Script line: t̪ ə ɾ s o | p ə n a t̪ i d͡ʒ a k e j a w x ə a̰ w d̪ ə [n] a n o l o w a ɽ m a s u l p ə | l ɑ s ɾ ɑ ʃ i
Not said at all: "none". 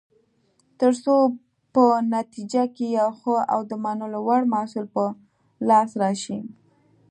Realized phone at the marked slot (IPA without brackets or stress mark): m